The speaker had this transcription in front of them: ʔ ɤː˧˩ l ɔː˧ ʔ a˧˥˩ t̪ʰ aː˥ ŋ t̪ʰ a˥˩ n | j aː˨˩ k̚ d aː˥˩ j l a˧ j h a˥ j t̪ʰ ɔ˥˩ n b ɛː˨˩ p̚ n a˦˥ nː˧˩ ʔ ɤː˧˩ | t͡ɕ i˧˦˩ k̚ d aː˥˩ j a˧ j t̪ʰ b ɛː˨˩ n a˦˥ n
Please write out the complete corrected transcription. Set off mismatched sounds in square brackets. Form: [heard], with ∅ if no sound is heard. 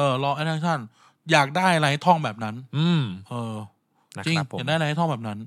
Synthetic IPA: ʔ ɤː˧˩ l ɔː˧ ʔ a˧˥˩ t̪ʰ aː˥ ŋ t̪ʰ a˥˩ n | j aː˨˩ k̚ d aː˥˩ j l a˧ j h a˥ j t̪ʰ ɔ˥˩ [ŋ] b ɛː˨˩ p̚ n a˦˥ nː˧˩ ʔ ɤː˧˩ | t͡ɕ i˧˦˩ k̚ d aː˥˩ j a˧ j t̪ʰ b ɛː˨˩ n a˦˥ n